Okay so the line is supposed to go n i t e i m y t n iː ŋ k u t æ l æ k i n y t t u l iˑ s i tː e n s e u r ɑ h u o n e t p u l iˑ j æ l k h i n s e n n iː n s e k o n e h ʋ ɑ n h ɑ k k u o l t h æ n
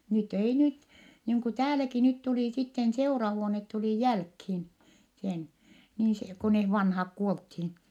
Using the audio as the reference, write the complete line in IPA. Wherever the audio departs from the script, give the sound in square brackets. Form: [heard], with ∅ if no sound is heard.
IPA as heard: n [y] t e i [n] y t n iː ŋ k u t [æː] l æ k i n y t t u l iˑ s i tː e n s e u r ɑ h u o n e t [t] u l iˑ j æ l k h i n s e n n iː n s e k o n e h ʋ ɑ n h ɑ k k u o l t h [i] n